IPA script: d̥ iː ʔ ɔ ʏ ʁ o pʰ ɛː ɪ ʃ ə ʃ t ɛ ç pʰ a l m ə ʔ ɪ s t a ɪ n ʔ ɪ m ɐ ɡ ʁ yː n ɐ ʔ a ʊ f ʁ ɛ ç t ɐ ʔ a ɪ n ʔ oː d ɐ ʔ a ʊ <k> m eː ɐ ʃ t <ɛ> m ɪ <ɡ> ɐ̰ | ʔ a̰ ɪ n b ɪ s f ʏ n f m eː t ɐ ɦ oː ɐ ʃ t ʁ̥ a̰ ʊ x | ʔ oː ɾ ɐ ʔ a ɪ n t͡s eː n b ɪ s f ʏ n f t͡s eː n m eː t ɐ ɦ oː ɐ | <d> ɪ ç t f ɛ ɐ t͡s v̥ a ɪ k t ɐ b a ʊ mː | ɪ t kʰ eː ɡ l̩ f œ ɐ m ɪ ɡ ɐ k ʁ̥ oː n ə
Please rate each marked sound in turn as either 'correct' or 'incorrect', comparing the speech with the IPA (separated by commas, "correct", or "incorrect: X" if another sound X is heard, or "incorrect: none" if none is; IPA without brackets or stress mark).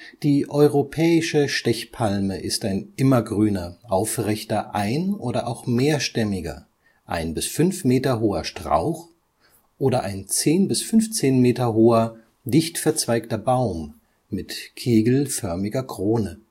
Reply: incorrect: x, correct, correct, correct